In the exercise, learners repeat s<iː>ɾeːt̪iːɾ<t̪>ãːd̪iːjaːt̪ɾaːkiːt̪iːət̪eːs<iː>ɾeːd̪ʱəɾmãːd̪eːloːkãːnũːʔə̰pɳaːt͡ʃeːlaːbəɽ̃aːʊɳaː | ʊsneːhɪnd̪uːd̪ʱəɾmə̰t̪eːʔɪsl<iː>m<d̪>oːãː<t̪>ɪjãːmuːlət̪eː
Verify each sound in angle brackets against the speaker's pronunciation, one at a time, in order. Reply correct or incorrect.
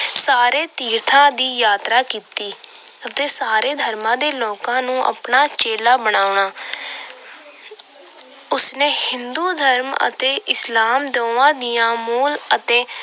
incorrect, incorrect, incorrect, incorrect, correct, incorrect

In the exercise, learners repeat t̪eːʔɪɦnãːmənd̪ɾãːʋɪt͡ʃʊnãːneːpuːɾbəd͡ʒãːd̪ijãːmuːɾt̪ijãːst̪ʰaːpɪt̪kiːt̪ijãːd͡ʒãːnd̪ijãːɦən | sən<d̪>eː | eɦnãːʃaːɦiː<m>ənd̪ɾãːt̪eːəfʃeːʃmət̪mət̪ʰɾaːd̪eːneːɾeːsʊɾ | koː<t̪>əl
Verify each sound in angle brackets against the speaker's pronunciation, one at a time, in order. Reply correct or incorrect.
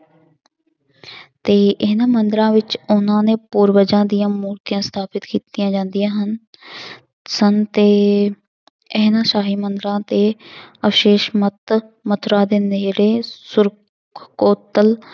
incorrect, correct, correct

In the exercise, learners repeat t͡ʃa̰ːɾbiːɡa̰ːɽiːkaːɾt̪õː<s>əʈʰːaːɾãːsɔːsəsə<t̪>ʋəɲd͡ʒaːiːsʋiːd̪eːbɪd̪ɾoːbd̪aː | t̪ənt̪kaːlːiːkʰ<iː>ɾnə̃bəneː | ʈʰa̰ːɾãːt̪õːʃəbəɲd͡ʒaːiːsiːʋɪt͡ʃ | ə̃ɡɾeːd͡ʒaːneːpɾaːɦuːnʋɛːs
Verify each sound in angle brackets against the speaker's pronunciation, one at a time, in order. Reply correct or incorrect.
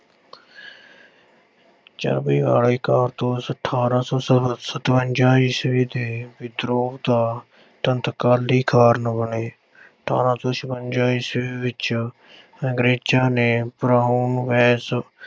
correct, correct, incorrect

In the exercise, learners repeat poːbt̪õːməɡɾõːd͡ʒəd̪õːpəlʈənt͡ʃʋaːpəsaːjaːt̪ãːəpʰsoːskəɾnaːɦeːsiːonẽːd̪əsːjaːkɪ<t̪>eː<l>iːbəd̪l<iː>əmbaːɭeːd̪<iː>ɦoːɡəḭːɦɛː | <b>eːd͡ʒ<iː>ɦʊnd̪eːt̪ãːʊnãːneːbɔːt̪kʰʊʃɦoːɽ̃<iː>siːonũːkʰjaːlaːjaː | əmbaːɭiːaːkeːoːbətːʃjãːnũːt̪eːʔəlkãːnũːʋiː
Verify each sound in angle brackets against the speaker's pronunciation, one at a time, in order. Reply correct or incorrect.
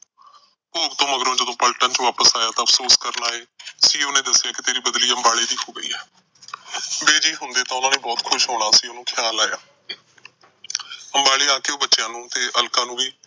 correct, incorrect, correct, correct, correct, correct, incorrect

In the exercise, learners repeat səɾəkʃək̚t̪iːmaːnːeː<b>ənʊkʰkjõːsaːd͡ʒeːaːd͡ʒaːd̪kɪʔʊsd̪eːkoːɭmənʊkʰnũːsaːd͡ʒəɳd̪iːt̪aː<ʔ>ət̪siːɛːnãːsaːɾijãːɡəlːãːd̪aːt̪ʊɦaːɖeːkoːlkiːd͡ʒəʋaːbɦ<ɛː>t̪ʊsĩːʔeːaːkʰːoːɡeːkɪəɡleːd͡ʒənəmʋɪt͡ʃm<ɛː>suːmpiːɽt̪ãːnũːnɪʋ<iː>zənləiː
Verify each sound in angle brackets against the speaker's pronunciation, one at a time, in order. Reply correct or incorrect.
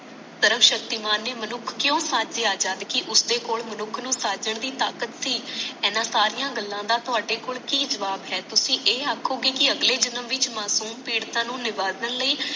incorrect, incorrect, correct, incorrect, incorrect

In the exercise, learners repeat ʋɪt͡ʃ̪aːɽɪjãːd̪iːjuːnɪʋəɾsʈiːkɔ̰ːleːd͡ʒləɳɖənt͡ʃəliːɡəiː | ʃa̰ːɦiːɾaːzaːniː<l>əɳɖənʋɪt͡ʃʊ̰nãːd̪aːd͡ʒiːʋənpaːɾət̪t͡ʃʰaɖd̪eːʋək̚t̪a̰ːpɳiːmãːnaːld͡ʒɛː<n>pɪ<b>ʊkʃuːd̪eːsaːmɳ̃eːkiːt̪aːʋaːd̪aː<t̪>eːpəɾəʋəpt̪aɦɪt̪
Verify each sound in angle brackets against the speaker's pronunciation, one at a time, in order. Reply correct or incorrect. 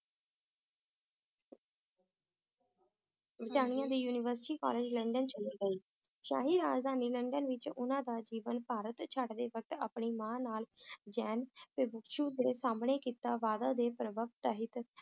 correct, correct, correct, incorrect

